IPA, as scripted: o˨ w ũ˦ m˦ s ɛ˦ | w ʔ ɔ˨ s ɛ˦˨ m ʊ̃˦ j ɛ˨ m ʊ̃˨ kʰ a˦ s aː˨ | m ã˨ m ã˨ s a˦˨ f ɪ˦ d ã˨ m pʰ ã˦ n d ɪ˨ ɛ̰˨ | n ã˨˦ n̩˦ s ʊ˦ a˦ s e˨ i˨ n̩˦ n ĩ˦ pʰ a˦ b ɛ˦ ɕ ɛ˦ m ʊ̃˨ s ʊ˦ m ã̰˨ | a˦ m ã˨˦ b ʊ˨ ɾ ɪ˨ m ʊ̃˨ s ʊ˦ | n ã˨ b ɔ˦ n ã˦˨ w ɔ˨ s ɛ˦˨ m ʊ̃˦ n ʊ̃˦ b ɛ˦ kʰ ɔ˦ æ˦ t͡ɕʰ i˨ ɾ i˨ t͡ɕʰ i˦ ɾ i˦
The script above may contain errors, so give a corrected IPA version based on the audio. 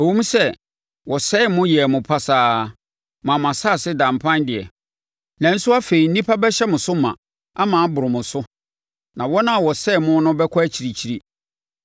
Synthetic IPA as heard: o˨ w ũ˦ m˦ s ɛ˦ | w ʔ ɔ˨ s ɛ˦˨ m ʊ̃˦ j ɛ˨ m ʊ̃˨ pʰ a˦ s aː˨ | m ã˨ m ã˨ s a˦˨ s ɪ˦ d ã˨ m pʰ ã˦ n d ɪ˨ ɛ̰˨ | n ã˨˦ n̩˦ s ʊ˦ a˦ f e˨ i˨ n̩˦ n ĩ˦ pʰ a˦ b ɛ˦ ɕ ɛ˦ m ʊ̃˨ s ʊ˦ m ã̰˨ | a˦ m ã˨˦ b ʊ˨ ɾ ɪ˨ m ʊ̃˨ s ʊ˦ | n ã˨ w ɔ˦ n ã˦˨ w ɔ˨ s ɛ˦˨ m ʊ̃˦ n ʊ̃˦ b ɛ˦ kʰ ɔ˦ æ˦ t͡ɕʰ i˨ ɾ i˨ t͡ɕʰ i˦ ɾ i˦